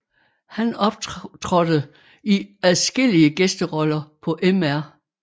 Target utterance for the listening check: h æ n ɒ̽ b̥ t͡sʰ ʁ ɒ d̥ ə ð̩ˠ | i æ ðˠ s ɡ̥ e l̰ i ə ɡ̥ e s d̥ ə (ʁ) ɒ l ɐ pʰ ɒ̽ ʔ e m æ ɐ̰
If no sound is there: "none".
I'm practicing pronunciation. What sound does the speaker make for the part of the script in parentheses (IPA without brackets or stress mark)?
ʁ